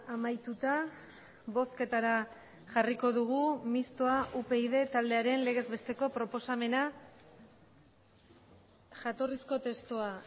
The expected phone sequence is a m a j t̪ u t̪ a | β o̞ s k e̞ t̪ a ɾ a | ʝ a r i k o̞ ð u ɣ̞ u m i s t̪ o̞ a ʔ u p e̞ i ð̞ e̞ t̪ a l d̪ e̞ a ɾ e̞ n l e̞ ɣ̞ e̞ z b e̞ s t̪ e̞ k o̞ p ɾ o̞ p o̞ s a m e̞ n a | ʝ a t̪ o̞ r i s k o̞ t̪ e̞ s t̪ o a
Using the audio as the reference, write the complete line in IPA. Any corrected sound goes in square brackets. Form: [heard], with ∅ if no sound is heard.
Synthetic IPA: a m a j t̪ u t̪ a | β o̞ s k e̞ t̪ a ɾ a | ʝ a r i k o̞ ð u ɣ̞ u m i s t̪ o̞ a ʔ u p e̞ i ð̞ e̞ t̪ a l d̪ e̞ a ɾ e̞ n l e̞ ɣ̞ e̞ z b e̞ s t̪ e̞ k o̞ p ɾ o̞ p o̞ s a m e̞ n a | ʝ a t̪ o̞ r i s k o̞ t̪ e̞ s t̪ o a